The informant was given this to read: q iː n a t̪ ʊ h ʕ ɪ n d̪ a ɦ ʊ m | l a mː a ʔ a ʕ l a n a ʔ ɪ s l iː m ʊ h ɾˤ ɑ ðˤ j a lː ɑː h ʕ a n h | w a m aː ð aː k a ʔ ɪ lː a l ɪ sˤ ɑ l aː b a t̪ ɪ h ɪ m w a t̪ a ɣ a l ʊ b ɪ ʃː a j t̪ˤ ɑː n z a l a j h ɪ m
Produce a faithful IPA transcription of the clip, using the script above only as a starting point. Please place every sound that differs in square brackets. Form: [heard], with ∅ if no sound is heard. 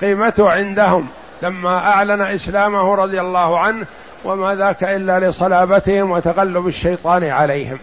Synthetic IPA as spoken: q iː [m] a t̪ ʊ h ʕ ɪ n d̪ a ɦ ʊ m | l a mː a ʔ a ʕ l a n a ʔ ɪ s l [aː] m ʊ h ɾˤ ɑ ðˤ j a lː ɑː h ʕ a n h | w a m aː ð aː k a ʔ ɪ lː a l ɪ sˤ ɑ l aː b a t̪ ɪ h ɪ m w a t̪ a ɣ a [lː] ʊ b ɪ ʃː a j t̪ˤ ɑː n [ʕ] a l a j h ɪ m